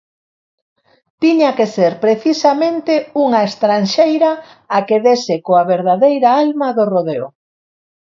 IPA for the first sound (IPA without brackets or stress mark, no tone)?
t̪